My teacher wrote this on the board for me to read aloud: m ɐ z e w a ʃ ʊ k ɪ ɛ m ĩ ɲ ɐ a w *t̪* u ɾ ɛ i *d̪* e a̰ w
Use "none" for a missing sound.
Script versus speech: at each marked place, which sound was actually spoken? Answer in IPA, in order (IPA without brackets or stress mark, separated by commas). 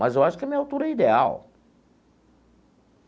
t̪, d̪